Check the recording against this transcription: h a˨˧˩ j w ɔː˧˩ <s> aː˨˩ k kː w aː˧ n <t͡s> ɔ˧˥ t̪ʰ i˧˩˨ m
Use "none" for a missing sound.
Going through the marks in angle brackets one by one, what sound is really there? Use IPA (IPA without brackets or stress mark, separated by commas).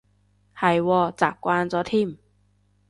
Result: t͡s, t͡s